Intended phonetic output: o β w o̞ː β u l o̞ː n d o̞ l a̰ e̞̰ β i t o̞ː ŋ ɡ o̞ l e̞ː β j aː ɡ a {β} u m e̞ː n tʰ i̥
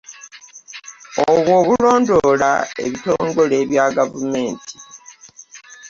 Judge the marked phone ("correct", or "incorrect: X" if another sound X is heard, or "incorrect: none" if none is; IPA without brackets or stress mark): incorrect: v